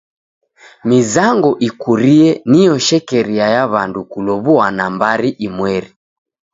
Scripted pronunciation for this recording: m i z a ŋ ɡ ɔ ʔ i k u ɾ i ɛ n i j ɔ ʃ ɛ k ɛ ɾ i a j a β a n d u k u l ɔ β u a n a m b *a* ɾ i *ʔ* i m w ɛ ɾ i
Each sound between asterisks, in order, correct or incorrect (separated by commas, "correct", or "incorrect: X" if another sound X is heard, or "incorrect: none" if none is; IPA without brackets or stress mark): correct, correct